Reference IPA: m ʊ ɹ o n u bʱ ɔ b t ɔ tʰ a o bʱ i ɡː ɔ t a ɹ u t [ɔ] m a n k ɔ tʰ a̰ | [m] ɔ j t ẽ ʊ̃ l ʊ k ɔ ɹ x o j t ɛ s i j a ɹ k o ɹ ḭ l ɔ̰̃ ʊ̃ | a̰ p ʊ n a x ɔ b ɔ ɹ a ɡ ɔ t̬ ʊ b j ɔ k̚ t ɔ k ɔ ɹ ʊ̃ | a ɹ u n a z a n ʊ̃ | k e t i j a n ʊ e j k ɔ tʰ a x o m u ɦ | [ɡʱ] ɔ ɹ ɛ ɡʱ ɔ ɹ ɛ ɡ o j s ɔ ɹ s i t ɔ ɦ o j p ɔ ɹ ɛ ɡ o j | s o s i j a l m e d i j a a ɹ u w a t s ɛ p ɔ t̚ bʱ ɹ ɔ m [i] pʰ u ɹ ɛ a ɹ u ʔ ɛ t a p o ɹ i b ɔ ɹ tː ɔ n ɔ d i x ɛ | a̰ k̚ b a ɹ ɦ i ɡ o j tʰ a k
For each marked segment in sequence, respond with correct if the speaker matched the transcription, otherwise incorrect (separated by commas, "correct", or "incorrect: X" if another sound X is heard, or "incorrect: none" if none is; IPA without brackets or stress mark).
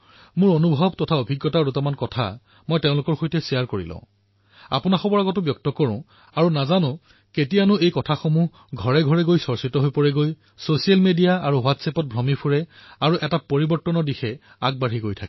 correct, correct, correct, correct